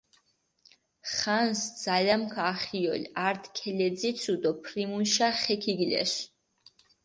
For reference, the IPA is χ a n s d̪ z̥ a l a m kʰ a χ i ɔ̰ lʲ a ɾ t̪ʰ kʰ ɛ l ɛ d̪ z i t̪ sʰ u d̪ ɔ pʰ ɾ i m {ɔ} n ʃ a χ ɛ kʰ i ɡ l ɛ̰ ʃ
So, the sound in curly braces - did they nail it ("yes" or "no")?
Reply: no